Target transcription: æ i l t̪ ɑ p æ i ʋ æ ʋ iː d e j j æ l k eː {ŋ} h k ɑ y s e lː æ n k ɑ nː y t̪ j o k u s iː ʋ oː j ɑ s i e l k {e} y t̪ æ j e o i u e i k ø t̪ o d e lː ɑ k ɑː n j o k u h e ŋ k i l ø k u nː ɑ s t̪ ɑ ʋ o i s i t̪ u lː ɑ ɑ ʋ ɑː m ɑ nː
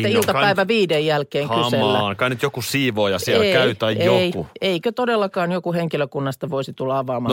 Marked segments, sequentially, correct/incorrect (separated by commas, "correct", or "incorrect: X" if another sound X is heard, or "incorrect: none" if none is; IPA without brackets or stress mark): correct, incorrect: æ